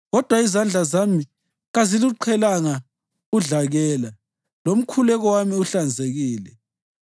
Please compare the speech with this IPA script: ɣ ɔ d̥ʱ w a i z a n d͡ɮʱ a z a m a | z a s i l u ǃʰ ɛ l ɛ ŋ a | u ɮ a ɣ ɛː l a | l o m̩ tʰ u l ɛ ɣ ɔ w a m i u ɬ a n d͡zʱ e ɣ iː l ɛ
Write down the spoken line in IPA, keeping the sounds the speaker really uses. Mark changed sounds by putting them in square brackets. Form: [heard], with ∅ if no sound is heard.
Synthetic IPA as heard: ɣ ɔ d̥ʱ w a i z a n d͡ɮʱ a z a m [i] | [ɣ] a [z] i l u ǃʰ ɛ l [a] ŋ a | u ɮ a ɣ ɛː l a | l o m̩ [kʰ] u l ɛ ɣ ɔ w a m i u ɬ a n d͡zʱ e ɣ iː l ɛ